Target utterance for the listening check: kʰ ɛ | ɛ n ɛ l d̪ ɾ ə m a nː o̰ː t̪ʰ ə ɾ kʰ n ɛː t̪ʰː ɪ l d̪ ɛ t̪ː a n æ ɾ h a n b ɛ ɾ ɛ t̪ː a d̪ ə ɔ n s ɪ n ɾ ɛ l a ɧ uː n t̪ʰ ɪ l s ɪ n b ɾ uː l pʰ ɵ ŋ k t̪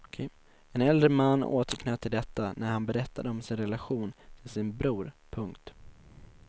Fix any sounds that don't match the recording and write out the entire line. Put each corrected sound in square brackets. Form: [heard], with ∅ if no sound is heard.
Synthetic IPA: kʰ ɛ | ɛ n ɛ l d̪ ɾ ə m a nː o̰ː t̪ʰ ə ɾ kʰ n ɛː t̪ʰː ɪ l d̪ ɛ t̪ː a n æ ɾ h a n b ɛ ɾ ɛ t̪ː a d̪ ə ɔ [m] s ɪ n ɾ ɛ l a ɧ uː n t̪ʰ ɪ l s ɪ n b ɾ uː [ɾ] pʰ ɵ ŋ k t̪